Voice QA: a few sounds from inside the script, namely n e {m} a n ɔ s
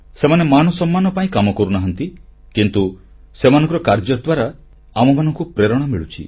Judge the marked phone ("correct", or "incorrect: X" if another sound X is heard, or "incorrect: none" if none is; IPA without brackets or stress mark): correct